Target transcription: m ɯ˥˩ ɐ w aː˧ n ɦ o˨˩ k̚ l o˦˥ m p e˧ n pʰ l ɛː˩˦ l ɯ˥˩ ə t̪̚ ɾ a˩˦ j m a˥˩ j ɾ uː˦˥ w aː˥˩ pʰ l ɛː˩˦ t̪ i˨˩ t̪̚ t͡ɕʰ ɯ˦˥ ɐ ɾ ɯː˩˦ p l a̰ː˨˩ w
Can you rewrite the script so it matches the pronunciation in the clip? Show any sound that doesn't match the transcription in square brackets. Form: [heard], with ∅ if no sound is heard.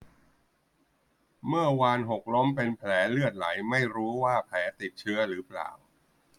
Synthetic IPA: m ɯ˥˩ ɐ w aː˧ n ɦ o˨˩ k̚ l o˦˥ m p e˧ n pʰ l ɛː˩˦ l ɯ˥˩ ə t̪̚ [l] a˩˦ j m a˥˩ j ɾ uː˦˥ w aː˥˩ pʰ l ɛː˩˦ t̪ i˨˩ t̪̚ t͡ɕʰ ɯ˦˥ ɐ ɾ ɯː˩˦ p l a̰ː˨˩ w